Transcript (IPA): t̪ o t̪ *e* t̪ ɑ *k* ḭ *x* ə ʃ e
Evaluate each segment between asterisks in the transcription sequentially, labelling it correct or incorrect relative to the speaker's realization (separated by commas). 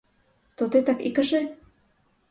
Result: correct, correct, incorrect